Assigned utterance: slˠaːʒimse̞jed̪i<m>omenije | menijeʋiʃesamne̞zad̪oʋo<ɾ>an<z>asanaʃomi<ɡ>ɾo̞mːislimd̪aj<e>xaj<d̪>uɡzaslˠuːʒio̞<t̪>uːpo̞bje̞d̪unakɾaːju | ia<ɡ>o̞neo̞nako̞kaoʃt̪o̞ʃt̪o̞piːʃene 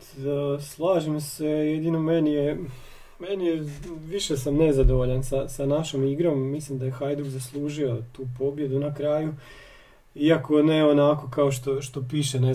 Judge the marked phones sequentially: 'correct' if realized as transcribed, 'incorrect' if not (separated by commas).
incorrect, incorrect, incorrect, correct, correct, correct, correct, incorrect